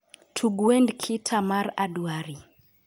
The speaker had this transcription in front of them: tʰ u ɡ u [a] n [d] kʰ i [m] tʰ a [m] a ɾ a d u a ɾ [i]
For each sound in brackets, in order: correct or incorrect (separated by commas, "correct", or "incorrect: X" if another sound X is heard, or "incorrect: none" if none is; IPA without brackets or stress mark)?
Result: incorrect: ɛ, correct, incorrect: none, correct, correct